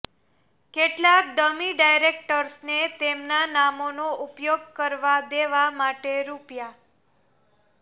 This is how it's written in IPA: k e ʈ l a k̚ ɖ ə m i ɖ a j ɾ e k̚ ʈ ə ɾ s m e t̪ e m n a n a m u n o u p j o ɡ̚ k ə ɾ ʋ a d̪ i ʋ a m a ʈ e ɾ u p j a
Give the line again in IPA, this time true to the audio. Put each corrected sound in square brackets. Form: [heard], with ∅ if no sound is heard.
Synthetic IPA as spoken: k e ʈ l a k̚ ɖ ə m i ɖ a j ɾ e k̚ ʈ ə ɾ s [n] e t̪ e m n a n a m [o] n o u p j o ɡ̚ k ə ɾ ʋ a d̪ [e] ʋ a m a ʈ e ɾ u p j a